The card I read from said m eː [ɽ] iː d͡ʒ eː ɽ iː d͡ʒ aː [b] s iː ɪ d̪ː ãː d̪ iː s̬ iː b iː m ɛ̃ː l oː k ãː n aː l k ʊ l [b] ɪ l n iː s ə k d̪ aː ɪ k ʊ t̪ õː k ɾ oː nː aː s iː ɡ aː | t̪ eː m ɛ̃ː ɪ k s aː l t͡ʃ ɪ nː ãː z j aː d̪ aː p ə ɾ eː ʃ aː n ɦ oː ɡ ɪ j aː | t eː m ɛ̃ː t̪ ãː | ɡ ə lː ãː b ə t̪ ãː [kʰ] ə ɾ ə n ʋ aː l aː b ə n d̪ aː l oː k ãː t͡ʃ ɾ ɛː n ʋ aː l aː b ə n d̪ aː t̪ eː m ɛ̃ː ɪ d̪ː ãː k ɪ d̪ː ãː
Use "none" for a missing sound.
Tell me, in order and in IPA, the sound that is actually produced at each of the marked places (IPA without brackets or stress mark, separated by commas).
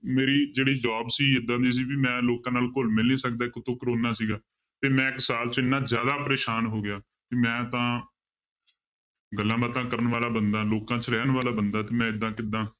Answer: ɾ, b, m, k